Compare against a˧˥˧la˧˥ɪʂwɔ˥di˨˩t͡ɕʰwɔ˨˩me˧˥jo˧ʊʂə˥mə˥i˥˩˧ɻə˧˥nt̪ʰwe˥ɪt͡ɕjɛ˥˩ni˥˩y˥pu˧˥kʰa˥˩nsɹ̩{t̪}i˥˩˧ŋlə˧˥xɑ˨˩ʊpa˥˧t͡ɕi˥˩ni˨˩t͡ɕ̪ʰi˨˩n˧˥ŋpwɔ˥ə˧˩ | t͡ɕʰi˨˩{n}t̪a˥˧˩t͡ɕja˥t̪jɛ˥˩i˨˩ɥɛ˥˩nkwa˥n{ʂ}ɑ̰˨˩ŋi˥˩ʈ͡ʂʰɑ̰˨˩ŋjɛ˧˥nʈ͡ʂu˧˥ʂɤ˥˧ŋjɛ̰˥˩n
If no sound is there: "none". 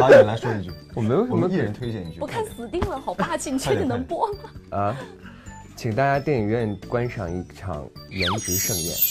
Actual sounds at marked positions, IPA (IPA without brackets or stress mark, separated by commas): t̪, ŋ, ʂ